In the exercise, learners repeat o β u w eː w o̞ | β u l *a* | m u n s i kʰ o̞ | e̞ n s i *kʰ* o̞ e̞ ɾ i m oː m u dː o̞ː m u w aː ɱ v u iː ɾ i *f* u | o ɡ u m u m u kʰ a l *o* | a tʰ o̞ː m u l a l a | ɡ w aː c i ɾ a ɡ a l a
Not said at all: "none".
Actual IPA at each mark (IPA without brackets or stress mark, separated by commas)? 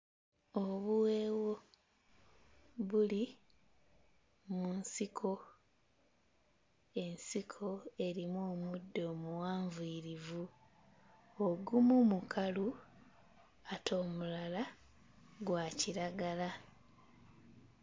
i, kʰ, v, u